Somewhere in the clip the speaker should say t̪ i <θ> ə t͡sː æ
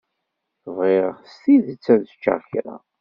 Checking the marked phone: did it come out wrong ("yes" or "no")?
yes